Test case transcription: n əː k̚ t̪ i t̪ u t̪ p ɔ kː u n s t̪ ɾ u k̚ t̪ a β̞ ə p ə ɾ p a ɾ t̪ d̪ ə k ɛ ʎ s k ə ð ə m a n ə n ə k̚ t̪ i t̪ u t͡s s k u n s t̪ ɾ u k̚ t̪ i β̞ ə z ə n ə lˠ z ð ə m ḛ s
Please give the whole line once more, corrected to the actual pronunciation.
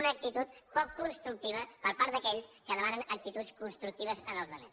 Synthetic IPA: n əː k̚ t̪ i t̪ u t̪ p ɔ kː u n s t̪ ɾ u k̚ t̪ i β̞ ə p ə ɾ p a ɾ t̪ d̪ ə k ɛ ʎ s k ə ð ə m a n ə n ə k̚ t̪ i t̪ u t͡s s k u n s t̪ ɾ u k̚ t̪ i β̞ ə z ə n ə lˠ z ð ə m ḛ s